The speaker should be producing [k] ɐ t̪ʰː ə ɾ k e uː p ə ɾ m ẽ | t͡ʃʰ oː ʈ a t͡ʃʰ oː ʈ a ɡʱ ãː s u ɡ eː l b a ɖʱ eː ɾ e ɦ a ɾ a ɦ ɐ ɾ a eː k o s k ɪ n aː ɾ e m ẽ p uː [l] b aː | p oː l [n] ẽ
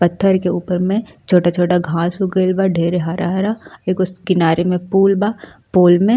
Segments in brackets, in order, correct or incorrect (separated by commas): incorrect, correct, incorrect